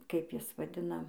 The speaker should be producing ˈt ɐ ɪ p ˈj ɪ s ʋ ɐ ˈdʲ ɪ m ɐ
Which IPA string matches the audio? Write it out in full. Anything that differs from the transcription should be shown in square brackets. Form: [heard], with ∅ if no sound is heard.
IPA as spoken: [ˈk] ɐ ɪ p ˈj ɪ s ʋ ɐ ˈdʲ ɪ [n] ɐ